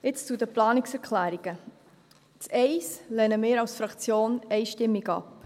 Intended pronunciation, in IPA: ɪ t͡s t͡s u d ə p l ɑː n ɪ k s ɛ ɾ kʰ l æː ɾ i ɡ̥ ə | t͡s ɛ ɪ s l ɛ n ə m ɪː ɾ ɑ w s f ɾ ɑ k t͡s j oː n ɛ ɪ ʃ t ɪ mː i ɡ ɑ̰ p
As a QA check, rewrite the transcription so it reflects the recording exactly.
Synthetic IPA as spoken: ɪ t͡s t͡s u d ə p l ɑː n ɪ k s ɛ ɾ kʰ l æː ɾ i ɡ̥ ə | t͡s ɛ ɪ s l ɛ n ə m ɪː ɾ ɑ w s f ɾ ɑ k t͡s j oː n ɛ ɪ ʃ t ɪ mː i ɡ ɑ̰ p

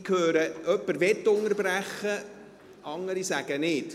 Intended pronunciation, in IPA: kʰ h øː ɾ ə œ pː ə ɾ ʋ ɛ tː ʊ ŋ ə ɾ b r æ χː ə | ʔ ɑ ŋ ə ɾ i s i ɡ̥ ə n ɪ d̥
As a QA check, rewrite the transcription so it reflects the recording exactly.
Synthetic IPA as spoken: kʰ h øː ɾ ə œ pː ə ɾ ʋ ɛ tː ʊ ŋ ə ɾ b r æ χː ə | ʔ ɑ ŋ ə ɾ i s æ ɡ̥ ə n ɪ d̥

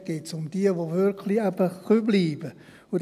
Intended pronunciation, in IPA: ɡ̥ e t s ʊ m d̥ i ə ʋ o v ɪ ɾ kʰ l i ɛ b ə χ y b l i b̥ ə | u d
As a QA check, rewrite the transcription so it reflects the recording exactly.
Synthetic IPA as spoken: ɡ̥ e t s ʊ m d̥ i ə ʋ o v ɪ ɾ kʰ l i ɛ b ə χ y b l iː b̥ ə | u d

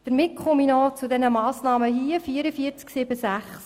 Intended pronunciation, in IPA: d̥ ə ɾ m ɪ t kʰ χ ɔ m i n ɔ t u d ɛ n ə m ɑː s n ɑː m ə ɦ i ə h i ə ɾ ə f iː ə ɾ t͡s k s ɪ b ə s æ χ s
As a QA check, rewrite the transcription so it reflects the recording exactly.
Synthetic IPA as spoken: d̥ ə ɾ m ɪ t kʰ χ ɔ m i n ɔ t͡s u d ɛ n ə m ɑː s n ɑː m ə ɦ i ə f i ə ɾ ə f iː ə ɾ t͡s k s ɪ b ə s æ χ s

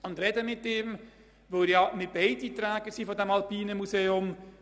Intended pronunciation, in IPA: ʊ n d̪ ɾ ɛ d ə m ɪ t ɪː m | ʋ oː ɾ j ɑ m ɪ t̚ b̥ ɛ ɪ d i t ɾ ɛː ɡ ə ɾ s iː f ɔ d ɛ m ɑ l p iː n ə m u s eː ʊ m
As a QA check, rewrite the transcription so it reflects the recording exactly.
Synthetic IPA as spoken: ʊ n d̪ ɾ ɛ d ə m ɪ t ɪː m | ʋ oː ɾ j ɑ m ɪ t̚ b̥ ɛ ɪ d i t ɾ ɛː ɡ ə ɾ s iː f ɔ d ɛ m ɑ l p iː n ə m u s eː ʊ m

